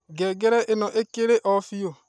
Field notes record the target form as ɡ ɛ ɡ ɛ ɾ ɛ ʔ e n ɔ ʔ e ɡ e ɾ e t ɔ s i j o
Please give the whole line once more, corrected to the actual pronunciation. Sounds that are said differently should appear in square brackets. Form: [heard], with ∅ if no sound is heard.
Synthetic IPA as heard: ɡ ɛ ɡ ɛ ɾ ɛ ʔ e n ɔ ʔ e [k] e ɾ e [ʔ] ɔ [f] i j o